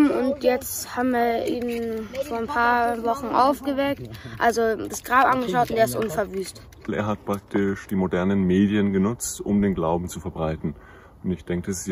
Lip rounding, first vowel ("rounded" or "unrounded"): rounded